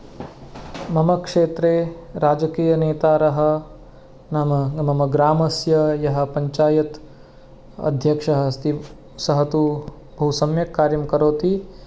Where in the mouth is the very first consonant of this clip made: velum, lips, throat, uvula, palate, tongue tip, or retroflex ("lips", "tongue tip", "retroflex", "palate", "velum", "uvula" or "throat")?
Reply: lips